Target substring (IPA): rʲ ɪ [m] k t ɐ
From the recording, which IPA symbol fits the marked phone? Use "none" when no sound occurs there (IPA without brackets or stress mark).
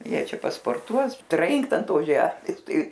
ŋ